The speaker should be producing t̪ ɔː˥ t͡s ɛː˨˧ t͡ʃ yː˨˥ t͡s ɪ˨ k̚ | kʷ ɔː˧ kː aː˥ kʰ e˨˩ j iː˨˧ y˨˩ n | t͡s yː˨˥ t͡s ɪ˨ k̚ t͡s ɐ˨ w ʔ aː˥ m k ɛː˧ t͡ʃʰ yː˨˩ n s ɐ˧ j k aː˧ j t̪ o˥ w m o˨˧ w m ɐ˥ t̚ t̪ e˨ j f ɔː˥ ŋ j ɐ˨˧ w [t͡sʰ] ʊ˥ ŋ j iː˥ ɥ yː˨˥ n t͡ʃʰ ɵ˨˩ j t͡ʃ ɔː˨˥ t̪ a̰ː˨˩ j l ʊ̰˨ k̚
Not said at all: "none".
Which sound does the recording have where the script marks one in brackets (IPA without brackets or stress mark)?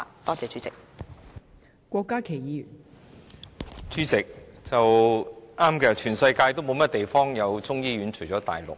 t͡s